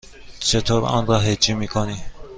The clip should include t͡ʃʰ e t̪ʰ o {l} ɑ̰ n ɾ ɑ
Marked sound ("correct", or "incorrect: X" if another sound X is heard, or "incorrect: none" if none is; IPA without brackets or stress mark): incorrect: ɾ